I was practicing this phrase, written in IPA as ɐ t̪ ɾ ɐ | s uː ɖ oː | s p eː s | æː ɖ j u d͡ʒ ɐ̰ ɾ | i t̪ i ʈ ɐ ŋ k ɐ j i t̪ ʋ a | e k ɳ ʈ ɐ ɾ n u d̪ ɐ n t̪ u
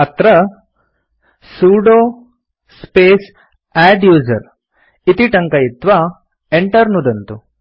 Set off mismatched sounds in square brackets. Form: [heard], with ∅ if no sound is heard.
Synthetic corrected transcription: ɐ t̪ ɾ ɐ | s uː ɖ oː | s p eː s | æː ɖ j [uː] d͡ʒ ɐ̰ ɾ | i t̪ i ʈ ɐ ŋ k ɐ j i t̪ ʋ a | e [∅] ɳ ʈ ɐ ɾ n u d̪ ɐ n t̪ u